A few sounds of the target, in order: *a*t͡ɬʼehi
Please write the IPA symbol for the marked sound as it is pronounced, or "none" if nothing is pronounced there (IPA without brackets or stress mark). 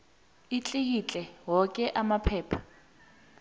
i